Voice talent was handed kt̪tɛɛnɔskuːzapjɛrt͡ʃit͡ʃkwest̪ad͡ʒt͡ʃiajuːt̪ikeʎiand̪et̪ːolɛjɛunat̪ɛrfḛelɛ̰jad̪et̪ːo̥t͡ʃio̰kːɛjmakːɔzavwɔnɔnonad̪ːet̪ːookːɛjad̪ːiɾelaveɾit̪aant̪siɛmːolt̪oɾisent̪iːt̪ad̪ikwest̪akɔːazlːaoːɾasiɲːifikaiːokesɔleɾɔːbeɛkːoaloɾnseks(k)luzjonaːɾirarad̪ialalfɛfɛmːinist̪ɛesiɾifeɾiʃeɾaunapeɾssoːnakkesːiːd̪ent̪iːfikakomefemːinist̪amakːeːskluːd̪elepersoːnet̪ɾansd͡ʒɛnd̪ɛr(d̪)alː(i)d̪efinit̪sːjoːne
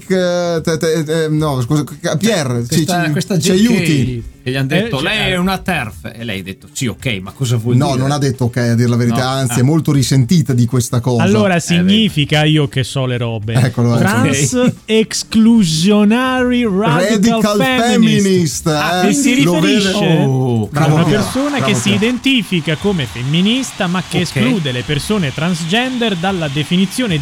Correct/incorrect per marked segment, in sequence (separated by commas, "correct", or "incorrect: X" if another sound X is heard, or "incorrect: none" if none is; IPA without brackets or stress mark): correct, correct, incorrect: a